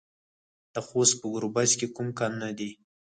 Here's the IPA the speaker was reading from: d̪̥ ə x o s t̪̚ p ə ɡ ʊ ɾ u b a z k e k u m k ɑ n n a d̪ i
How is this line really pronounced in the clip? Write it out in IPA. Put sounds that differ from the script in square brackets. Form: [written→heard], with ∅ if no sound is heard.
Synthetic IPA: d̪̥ ə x o s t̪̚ p ə ɡ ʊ ɾ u b a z k e k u m k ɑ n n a d̪ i